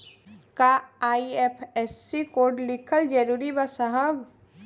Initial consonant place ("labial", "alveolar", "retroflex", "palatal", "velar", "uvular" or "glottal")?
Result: velar